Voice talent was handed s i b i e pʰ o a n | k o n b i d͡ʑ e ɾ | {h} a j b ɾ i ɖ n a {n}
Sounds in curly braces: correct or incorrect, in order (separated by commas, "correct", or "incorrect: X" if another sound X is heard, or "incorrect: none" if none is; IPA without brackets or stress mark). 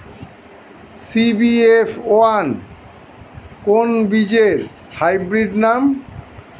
correct, incorrect: m